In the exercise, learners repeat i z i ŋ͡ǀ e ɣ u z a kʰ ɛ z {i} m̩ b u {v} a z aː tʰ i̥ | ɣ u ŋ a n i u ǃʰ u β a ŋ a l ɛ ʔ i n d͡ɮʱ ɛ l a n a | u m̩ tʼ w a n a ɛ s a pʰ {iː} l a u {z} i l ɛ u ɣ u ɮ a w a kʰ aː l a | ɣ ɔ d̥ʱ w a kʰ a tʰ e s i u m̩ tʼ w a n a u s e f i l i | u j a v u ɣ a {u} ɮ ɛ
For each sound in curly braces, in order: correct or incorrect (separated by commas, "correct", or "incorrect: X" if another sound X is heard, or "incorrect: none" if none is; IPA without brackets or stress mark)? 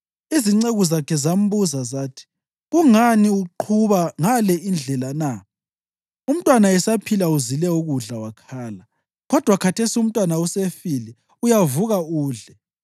incorrect: a, incorrect: z, incorrect: i, correct, incorrect: uː